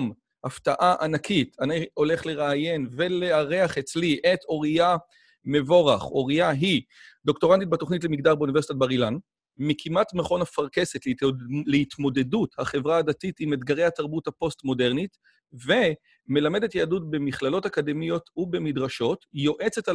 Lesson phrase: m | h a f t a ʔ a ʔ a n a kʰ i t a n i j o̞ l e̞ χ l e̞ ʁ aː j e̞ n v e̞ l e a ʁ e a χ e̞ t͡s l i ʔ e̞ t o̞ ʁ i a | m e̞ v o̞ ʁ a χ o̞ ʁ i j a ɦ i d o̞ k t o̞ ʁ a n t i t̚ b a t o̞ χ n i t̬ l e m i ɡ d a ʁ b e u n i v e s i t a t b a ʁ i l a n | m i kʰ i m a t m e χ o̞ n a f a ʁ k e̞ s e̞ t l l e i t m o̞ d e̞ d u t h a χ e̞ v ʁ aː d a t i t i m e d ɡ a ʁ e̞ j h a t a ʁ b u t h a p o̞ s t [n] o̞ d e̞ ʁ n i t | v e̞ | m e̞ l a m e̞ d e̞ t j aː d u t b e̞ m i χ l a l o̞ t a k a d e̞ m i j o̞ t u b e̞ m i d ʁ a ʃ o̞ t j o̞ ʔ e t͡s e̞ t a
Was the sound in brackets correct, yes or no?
no